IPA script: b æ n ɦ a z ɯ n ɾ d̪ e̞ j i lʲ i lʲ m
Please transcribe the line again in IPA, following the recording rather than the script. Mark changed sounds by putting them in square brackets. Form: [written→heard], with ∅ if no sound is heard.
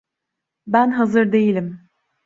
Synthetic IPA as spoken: b æ n ɦ a z ɯ [n→∅] ɾ d̪ e̞ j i lʲ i [lʲ→∅] m